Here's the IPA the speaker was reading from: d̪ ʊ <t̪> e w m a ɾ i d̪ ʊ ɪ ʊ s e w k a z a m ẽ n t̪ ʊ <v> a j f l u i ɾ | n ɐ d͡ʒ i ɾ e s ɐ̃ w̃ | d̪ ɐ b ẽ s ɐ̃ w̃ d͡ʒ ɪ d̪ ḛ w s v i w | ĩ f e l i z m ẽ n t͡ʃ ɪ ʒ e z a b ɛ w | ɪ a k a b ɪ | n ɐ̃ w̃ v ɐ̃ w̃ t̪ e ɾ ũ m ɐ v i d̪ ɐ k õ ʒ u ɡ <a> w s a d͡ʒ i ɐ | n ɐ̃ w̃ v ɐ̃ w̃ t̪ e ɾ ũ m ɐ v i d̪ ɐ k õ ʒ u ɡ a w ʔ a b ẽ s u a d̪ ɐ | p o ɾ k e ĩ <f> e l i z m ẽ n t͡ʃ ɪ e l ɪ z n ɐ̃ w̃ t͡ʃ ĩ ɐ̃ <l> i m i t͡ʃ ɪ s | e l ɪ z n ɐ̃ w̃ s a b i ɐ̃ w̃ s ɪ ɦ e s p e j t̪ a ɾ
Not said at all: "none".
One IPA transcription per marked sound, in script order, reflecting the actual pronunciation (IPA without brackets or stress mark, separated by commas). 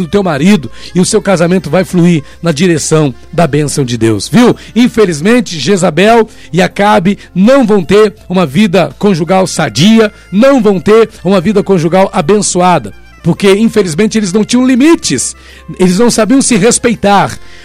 t̪, v, a, f, l